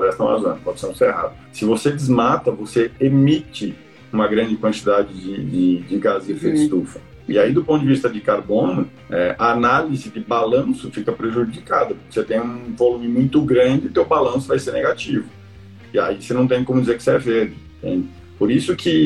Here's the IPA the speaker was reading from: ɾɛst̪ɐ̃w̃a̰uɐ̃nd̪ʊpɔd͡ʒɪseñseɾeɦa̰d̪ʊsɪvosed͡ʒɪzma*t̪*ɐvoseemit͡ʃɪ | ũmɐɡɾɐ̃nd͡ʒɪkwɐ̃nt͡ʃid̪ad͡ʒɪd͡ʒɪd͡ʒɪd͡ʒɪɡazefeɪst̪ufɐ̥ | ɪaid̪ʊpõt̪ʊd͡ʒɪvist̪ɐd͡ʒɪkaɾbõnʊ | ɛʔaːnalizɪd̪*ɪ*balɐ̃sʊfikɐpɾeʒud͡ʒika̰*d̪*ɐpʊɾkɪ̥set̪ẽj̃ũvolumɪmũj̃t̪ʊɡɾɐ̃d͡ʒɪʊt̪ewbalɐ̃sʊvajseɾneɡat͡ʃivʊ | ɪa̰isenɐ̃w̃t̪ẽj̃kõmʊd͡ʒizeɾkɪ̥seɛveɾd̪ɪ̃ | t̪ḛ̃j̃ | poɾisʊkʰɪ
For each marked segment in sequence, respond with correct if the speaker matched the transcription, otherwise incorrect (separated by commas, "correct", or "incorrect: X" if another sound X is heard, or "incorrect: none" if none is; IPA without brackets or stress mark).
correct, correct, correct